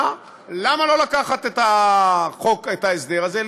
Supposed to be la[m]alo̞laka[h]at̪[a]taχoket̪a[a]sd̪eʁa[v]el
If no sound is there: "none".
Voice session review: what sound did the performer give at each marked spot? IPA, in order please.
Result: m, χ, e, e, z

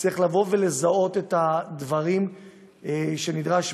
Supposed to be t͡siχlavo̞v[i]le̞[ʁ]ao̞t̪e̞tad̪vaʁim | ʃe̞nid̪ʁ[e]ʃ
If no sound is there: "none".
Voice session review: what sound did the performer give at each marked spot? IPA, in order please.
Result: e, z, a

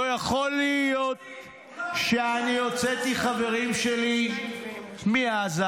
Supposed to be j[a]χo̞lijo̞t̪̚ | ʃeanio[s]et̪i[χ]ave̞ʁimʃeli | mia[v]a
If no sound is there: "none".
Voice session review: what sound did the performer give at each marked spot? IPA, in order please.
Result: a, t͡s, χ, z

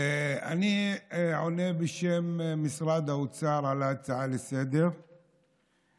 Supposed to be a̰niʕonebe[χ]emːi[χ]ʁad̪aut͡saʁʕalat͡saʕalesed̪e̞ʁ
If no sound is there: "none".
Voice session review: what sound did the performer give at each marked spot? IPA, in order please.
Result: ʃ, s

